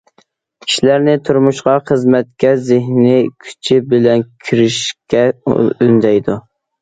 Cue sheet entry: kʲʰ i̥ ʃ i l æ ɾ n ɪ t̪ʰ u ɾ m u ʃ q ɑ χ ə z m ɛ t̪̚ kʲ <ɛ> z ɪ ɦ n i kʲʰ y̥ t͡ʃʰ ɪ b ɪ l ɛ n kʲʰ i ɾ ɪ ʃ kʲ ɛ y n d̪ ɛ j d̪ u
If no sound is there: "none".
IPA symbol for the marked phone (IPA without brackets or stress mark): ɛ